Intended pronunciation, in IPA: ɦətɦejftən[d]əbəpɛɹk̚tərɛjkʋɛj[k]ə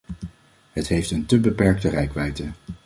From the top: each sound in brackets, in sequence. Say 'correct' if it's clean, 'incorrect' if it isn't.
incorrect: t, incorrect: t

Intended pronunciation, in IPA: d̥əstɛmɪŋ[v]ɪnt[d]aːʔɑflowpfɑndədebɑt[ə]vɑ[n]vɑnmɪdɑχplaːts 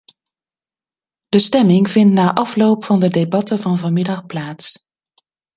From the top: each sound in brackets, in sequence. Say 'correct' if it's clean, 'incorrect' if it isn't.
correct, incorrect: n, correct, correct

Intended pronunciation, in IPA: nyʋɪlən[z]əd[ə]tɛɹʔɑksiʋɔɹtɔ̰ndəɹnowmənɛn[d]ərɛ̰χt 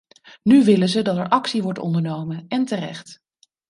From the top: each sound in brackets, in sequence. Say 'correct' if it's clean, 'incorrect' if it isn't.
correct, incorrect: ɑ, incorrect: t

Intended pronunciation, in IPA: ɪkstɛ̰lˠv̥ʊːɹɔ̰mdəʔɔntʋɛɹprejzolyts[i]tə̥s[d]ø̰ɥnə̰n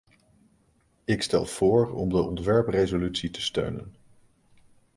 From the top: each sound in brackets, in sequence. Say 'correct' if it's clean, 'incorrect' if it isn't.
correct, incorrect: t

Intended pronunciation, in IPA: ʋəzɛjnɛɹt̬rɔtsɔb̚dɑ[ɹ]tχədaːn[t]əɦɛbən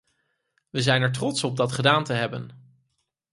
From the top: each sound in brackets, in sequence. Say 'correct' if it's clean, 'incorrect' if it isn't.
incorrect: none, correct

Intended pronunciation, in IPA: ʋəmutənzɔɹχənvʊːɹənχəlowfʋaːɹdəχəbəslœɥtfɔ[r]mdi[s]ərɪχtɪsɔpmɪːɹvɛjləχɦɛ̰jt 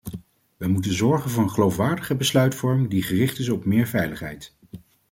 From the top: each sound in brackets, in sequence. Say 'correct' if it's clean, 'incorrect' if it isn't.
incorrect: ɹ, incorrect: χ

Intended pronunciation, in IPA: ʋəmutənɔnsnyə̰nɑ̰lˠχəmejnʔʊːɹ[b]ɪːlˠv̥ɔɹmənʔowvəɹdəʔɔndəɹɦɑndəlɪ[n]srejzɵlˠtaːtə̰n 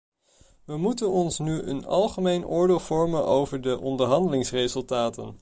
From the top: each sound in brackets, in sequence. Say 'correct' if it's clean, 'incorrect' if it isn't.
incorrect: d, incorrect: ŋ

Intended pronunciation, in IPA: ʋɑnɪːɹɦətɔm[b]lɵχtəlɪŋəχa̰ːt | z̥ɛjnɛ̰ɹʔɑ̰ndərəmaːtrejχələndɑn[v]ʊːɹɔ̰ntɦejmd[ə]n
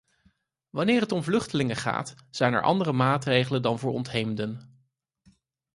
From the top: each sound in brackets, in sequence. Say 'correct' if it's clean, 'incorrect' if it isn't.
incorrect: v, correct, correct

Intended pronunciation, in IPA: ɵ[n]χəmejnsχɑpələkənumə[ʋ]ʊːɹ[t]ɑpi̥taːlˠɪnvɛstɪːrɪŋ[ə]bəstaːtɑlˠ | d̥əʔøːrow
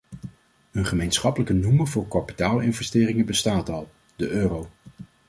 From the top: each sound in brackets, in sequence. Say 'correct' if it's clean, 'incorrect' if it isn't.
correct, incorrect: v, incorrect: k, correct

